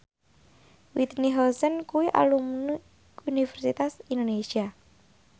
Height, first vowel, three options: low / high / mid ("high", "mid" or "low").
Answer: high